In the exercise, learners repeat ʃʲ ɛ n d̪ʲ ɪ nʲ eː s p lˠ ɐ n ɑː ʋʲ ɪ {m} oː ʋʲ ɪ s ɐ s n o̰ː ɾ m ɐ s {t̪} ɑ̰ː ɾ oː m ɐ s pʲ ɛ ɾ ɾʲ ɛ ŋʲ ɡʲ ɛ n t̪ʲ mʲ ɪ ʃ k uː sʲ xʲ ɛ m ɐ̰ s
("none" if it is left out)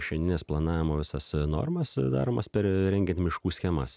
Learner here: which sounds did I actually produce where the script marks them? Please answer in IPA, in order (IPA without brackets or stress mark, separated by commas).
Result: m, d̪